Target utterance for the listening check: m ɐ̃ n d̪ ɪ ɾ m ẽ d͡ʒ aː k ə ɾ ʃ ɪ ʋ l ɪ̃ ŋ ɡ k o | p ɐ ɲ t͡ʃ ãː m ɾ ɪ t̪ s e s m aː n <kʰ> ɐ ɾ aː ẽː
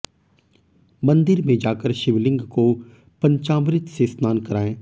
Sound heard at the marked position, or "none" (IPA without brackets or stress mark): k